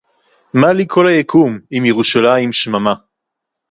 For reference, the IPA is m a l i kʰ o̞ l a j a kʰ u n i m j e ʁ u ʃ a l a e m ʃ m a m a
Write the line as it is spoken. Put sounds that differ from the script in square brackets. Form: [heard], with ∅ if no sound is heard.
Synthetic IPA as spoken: m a l i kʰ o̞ l a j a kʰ u [m] i m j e ʁ u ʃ a l a [i] m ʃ m a m a